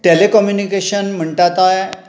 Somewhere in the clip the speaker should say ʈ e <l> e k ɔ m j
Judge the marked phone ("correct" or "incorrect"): correct